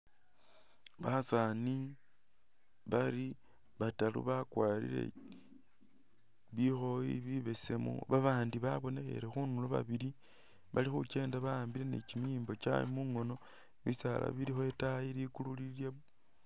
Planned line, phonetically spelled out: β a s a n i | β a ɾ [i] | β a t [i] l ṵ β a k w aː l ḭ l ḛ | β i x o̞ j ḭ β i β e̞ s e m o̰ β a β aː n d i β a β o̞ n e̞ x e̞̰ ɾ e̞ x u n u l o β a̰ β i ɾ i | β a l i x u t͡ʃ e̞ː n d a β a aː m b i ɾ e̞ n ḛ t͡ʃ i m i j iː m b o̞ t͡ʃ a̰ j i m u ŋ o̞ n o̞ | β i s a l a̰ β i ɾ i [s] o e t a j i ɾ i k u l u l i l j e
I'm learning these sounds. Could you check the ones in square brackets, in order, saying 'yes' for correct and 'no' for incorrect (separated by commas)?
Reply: yes, no, no